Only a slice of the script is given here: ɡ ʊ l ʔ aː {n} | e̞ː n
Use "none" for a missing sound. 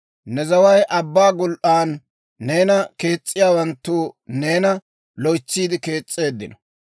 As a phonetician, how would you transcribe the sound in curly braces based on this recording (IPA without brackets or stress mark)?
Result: nː